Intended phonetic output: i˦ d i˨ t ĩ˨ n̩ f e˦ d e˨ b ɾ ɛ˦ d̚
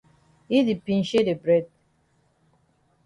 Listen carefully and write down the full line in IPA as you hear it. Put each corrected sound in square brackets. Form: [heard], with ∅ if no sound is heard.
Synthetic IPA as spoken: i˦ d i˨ [p] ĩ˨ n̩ [ʃ] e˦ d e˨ b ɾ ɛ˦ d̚